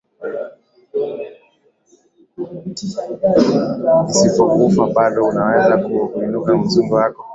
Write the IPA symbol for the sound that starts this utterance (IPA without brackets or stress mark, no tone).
i